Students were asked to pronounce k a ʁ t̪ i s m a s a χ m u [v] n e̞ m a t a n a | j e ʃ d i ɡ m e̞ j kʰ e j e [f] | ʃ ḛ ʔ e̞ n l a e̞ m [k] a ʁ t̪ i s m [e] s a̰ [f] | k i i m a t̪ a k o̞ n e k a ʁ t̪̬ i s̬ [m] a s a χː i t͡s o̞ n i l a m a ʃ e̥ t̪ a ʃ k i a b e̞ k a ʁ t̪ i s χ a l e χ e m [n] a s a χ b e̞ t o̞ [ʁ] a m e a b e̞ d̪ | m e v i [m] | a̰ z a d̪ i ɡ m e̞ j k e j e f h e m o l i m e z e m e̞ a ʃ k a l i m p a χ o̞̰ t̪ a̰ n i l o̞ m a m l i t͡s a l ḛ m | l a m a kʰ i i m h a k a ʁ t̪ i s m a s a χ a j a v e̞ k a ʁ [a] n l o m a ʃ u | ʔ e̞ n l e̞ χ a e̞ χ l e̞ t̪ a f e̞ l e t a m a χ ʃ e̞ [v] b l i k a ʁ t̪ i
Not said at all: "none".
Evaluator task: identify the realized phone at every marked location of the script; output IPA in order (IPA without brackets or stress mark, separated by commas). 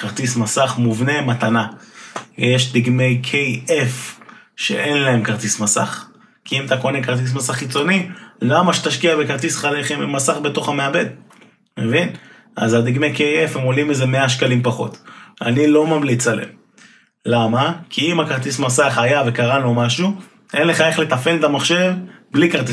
v, f, k, a, χ, m, m, χ, n, a, v